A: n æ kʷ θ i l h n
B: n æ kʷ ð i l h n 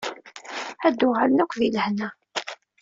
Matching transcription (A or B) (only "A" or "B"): B